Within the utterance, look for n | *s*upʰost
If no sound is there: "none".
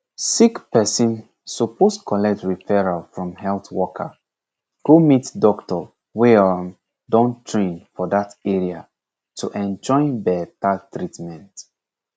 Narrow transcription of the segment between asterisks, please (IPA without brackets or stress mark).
s